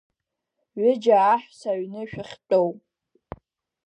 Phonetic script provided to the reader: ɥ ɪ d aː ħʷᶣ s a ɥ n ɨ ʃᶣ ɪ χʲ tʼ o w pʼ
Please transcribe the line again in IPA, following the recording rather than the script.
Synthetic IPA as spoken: ɥ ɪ d͡ʒ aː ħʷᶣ s a ɥ n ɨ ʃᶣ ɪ χʲ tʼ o w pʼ

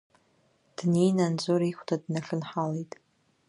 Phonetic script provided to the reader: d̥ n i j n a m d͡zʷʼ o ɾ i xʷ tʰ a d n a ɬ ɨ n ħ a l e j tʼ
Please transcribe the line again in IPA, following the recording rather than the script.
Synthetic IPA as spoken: d̥ n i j n a n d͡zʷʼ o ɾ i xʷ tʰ a d n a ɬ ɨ n ħ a l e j tʼ

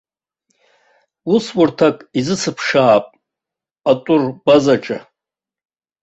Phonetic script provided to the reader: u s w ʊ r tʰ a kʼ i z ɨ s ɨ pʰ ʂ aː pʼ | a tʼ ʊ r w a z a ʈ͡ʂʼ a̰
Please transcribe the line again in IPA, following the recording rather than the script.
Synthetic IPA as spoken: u s w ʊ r tʰ a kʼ i z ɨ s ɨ pʰ ʂ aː pʼ | a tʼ ʊ r b a z a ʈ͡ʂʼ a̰

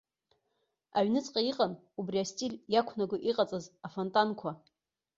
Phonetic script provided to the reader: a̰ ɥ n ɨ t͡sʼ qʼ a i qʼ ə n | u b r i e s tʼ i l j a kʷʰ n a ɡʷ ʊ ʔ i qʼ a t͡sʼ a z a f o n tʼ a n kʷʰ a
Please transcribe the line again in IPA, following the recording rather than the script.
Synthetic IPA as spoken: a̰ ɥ n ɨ t͡sʼ qʼ a i qʼ a n | u b r i a s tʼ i l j a kʷʰ n a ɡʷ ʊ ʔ i qʼ a t͡sʼ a z a f o n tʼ a n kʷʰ a

